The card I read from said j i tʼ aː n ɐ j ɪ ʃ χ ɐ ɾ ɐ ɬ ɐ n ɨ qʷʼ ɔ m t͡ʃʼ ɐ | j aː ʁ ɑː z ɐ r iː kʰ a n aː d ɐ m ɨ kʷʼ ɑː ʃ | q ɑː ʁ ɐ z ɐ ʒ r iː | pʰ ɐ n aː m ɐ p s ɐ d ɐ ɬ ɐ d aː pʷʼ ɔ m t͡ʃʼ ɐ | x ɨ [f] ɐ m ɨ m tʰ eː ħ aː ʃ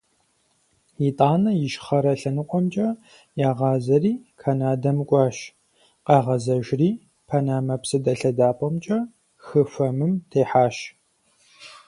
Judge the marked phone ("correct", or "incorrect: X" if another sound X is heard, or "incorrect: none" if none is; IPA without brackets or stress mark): correct